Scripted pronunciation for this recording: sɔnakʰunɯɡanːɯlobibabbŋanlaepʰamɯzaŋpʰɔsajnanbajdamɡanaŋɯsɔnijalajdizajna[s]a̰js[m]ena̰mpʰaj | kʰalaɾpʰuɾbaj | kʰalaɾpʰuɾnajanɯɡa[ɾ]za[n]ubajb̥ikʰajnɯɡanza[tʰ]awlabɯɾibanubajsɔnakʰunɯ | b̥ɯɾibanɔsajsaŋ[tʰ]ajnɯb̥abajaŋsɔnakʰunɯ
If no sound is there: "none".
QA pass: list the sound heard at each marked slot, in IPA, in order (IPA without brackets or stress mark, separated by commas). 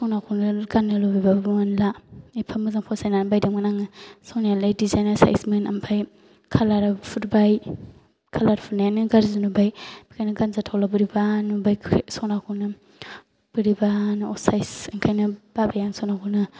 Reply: s, m, ɾ, n, tʰ, kʰ